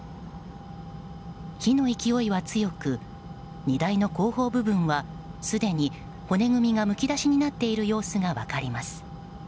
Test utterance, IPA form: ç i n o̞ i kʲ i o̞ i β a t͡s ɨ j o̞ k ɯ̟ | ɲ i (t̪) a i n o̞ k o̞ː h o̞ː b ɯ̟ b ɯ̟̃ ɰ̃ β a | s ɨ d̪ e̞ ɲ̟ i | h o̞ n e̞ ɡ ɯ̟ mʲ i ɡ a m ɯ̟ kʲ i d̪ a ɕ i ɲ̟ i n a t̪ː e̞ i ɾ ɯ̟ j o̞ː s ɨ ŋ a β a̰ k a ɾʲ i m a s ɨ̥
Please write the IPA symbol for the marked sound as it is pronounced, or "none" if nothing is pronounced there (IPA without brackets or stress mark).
d̪